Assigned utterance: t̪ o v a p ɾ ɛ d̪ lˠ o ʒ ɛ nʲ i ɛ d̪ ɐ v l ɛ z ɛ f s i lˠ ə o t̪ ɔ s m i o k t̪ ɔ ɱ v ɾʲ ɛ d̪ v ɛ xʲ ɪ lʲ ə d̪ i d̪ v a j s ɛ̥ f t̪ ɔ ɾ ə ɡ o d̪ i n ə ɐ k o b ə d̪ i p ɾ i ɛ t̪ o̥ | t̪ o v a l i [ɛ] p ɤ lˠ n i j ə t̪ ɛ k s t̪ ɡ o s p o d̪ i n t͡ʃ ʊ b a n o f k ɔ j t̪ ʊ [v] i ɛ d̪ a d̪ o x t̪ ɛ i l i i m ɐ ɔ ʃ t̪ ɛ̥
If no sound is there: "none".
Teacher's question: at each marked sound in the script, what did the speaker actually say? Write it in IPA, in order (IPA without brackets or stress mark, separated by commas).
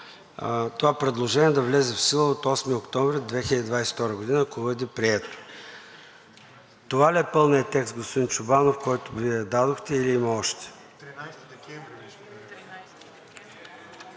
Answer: ɛ, v